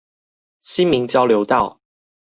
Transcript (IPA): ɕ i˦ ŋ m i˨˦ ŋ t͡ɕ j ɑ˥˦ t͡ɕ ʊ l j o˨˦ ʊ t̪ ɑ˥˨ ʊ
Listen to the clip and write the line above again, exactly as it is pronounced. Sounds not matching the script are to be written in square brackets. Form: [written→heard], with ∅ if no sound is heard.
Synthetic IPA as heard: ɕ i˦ [ŋ→n] m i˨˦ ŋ t͡ɕ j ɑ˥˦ [t͡ɕ→∅] ʊ l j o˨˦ ʊ t̪ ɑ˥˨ ʊ